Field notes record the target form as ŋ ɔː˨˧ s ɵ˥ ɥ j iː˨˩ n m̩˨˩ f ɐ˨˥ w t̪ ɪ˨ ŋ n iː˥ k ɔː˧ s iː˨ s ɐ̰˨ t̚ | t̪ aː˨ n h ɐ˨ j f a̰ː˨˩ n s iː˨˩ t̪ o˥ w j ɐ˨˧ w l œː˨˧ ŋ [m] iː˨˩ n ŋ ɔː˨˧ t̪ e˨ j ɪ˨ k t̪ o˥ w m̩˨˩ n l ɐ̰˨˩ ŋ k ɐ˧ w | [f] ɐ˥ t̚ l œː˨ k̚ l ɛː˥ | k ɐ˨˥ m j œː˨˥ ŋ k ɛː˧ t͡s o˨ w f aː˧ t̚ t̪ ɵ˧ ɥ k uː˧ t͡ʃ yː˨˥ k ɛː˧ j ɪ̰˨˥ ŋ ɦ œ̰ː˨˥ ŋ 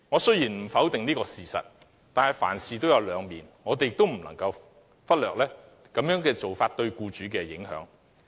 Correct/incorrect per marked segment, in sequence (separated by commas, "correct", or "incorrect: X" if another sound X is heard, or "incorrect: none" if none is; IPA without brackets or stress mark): correct, correct